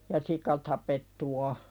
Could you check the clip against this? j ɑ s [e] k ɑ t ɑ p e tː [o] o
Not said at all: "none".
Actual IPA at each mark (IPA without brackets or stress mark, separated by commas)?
i, u